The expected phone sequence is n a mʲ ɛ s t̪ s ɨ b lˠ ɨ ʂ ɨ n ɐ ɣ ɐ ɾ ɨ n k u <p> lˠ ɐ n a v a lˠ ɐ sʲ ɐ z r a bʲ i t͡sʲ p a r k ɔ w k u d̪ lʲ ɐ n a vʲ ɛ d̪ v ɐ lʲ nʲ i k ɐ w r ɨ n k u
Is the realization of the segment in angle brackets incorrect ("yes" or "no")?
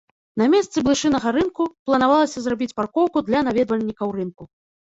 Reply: no